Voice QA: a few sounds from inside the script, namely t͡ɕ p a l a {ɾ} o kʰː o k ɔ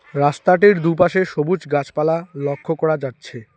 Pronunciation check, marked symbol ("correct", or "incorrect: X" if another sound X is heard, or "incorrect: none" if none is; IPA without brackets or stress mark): incorrect: l